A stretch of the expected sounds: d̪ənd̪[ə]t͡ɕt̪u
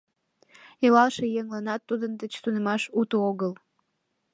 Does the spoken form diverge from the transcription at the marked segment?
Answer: no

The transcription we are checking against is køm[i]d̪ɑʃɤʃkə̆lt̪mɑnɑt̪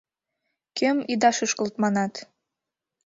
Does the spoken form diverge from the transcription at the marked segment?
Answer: no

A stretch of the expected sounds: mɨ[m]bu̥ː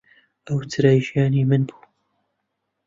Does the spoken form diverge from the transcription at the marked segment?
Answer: yes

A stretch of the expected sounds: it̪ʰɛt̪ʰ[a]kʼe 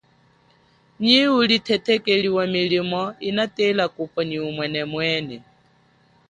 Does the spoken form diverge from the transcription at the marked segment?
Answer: yes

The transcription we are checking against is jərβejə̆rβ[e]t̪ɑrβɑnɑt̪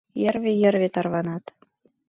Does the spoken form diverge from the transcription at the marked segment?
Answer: no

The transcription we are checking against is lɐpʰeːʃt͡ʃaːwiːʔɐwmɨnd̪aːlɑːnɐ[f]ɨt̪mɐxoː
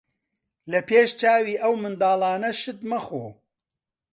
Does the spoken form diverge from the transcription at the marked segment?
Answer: yes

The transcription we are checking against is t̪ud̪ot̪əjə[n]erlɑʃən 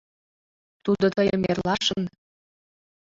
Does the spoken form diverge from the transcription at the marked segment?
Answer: yes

